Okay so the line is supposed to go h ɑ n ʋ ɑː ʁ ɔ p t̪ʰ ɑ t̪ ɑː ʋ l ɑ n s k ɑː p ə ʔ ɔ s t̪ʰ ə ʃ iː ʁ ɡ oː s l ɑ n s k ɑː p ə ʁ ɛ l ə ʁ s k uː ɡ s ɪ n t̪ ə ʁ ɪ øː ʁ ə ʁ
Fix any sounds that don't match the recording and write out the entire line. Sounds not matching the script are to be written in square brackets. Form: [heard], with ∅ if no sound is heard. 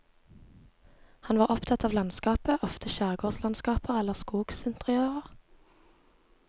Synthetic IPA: h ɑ n ʋ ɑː ʁ ɔ p t̪ʰ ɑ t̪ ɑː ʋ l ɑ n s k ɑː p ə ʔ ɔ [f] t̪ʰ ə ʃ [æː] ʁ ɡ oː s l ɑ n s k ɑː p ə ʁ ɛ l ə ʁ s k uː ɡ s ɪ n t̪ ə ʁ ɪ øː ʁ ə ʁ